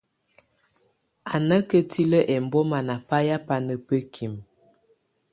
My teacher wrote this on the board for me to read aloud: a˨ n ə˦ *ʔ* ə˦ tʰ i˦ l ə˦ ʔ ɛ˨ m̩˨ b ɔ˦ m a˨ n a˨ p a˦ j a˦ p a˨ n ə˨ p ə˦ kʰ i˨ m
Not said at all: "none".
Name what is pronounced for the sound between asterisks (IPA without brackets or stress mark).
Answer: k